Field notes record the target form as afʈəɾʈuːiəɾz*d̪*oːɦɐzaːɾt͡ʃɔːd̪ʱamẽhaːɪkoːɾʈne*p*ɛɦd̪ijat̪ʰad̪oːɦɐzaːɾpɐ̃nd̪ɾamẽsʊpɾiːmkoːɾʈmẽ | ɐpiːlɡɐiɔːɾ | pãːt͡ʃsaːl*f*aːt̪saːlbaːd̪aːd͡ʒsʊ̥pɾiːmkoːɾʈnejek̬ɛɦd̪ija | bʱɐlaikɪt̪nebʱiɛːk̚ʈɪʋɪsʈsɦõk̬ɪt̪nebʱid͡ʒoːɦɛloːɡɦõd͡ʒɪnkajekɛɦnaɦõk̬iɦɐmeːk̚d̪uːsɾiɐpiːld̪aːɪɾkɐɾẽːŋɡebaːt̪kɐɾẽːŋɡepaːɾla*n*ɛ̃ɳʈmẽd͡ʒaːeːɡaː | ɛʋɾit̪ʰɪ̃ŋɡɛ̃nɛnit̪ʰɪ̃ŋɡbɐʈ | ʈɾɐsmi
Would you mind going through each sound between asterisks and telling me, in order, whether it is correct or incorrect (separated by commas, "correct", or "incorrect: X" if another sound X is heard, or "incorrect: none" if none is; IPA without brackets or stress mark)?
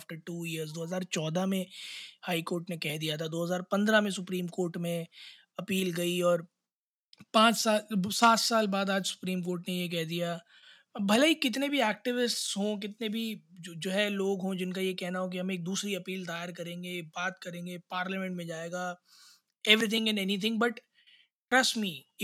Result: correct, incorrect: k, incorrect: s, incorrect: m